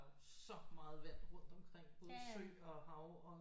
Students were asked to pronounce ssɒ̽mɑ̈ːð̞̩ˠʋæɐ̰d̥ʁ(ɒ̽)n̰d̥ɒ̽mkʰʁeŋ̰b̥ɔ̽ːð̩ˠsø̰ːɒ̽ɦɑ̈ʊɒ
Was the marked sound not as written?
yes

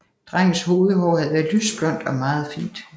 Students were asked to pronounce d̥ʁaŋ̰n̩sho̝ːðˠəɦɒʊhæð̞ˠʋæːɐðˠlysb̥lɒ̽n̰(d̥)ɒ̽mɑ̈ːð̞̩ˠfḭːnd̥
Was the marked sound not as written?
no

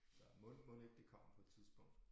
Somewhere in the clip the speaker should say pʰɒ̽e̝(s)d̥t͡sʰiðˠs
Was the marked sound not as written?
yes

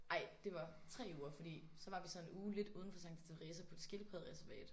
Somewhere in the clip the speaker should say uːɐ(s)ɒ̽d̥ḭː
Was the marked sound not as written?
yes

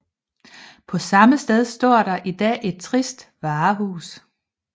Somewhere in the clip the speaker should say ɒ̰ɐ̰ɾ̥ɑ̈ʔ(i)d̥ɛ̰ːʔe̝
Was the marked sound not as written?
no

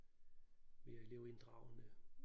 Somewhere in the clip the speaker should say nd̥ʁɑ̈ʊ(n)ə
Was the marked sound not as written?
no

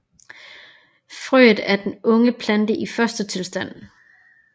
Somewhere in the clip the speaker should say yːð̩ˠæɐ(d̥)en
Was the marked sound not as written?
no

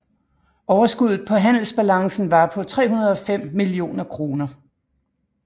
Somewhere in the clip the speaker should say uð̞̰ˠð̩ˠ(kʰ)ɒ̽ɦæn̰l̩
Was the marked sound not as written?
yes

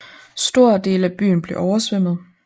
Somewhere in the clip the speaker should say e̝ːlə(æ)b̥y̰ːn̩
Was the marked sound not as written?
no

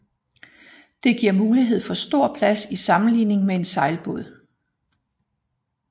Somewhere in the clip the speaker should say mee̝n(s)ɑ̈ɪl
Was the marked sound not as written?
no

